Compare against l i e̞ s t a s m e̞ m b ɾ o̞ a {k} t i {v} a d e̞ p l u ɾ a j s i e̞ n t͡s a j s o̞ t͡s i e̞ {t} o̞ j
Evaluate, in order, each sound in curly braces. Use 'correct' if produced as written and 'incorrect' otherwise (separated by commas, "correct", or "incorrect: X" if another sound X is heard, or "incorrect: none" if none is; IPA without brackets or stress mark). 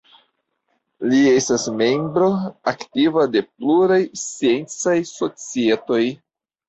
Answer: correct, correct, correct